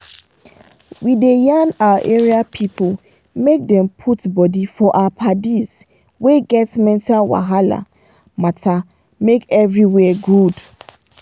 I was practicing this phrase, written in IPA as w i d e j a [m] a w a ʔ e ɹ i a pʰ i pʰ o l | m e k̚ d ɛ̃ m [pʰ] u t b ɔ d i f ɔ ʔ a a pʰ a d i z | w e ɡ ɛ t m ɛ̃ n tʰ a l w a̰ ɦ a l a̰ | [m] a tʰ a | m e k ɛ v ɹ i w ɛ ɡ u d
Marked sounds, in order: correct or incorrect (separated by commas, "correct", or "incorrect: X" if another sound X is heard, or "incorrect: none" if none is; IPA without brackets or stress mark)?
incorrect: n, correct, correct